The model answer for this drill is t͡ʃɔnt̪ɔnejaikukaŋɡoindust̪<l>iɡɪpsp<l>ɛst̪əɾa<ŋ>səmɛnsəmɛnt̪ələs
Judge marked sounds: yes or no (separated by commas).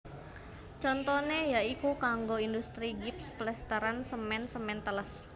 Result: no, yes, no